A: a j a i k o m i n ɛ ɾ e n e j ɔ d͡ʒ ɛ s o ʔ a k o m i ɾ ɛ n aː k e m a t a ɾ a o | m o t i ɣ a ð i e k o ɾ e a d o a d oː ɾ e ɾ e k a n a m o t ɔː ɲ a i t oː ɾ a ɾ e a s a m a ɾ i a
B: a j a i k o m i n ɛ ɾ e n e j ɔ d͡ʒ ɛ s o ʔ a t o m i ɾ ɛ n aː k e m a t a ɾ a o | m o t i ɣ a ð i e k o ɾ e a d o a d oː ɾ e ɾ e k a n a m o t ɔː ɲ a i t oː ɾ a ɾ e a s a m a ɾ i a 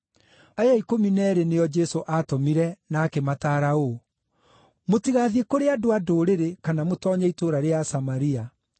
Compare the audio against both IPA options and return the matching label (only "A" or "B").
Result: B